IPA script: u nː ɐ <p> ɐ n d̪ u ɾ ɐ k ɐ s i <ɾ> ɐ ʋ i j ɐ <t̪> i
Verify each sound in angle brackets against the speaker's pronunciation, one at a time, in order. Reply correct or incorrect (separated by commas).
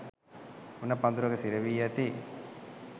correct, correct, correct